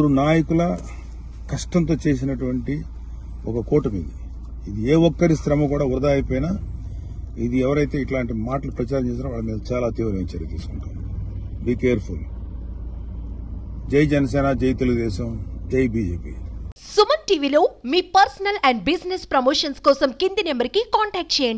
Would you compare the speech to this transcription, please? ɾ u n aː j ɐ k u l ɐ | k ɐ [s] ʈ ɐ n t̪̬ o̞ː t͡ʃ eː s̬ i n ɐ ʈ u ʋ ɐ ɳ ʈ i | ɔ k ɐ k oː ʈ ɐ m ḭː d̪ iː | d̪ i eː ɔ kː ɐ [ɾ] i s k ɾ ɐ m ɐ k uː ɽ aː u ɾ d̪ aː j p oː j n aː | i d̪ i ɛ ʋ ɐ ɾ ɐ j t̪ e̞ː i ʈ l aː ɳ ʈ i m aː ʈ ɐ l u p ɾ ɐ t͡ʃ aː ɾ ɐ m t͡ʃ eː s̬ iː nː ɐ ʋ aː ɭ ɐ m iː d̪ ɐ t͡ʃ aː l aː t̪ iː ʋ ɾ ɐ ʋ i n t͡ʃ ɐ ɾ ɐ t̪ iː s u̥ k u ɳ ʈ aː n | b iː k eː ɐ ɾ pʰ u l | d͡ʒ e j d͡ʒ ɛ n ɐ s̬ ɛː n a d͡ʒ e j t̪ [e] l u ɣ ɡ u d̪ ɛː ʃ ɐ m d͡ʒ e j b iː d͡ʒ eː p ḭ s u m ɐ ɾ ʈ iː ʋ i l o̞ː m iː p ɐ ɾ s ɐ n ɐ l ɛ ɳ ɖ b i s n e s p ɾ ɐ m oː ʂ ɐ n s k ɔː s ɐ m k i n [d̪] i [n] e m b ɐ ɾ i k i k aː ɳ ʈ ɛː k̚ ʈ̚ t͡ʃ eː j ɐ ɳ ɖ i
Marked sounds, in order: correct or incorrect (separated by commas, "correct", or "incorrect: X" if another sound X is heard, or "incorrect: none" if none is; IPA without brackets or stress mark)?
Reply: incorrect: ʂ, correct, correct, correct, correct